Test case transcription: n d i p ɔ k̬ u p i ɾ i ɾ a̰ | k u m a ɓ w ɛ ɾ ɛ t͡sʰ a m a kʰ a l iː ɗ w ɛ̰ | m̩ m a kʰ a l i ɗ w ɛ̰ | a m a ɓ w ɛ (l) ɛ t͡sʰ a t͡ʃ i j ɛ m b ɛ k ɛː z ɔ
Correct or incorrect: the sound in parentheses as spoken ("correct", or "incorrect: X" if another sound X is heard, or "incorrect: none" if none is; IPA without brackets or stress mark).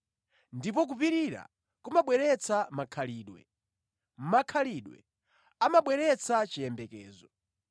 incorrect: ɾ